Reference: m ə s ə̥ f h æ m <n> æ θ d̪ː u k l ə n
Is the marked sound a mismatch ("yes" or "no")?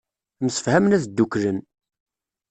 no